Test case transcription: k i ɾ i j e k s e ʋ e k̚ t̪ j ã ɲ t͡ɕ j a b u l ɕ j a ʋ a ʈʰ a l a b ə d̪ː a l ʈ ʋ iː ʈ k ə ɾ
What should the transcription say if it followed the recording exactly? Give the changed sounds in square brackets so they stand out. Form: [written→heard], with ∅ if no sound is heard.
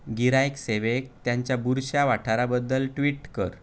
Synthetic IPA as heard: [k→ɡ] i ɾ [i→a] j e k s e ʋ e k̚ t̪ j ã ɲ t͡ɕ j a b u [l→ɾ] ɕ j a ʋ a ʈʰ a [l→ɾ] a b ə d̪ː [a→ə] l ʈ ʋ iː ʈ k ə ɾ